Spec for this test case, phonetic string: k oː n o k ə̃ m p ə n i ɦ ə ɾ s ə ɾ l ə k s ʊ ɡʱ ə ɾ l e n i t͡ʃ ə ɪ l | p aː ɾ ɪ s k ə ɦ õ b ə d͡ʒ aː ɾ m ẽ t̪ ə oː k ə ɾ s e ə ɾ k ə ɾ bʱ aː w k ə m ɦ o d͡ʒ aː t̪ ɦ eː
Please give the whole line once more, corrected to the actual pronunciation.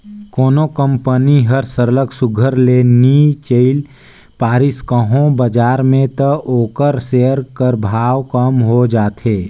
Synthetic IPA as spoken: k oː n o k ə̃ m p ə n i ɦ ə ɾ s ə ɾ l ə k s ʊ ɡʱ ə ɾ l e n i t͡ʃ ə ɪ l | p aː ɾ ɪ s k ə ɦ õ b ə d͡ʒ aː ɾ m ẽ t̪ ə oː k ə ɾ s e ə ɾ k ə ɾ bʱ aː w k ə m ɦ o d͡ʒ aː t̪ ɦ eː